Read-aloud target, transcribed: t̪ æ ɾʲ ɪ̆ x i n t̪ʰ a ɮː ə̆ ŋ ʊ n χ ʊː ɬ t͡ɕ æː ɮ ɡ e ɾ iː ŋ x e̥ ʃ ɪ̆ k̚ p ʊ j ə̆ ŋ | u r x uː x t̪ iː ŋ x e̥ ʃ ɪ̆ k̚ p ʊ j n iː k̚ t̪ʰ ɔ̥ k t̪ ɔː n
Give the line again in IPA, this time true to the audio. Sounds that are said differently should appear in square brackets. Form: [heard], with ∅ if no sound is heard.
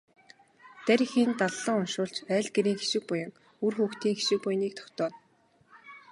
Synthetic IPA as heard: t̪ æ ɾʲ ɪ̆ x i n [t̪] a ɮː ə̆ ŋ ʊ n [ʃ] ʊː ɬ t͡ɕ æː ɮ ɡ e ɾ iː ŋ x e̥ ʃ ɪ̆ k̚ p ʊ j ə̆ ŋ | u r x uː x t̪ iː ŋ x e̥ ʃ ɪ̆ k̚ p ʊ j n iː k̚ t̪ʰ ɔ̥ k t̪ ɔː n